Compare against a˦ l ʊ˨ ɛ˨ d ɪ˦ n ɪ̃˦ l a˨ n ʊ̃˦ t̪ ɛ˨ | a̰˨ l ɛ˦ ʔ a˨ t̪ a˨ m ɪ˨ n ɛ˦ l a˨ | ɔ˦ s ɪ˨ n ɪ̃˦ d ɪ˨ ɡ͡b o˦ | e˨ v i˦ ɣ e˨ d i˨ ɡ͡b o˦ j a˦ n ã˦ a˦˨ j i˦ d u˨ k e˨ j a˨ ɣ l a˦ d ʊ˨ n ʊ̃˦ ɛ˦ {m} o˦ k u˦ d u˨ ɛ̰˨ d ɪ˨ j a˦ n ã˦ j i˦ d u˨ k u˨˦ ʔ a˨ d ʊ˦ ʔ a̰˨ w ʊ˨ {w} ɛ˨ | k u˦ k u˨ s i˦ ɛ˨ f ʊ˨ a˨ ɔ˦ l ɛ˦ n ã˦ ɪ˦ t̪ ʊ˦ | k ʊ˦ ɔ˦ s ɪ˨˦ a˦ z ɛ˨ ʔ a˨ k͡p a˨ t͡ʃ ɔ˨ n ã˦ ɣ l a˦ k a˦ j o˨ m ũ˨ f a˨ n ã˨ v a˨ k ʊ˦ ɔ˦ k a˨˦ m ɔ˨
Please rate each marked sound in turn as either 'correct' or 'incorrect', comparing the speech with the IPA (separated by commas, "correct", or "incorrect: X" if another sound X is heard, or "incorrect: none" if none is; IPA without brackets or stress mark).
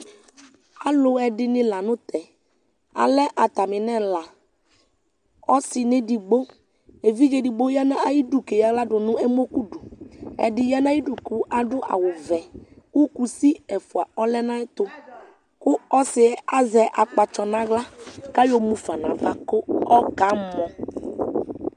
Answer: correct, incorrect: v